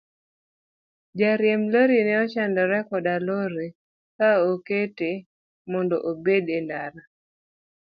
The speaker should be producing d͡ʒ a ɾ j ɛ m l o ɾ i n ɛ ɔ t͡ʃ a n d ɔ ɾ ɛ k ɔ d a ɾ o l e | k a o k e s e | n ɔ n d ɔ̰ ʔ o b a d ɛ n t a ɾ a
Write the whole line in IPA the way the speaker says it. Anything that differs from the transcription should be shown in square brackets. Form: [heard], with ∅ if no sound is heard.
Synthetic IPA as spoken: d͡ʒ a ɾ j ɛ m l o ɾ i n ɛ ɔ t͡ʃ a n d ɔ ɾ ɛ k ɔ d a [l] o [ɾ] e | k a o k e [t] e | [m] ɔ n d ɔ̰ ʔ o b [e] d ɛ n [d] a ɾ a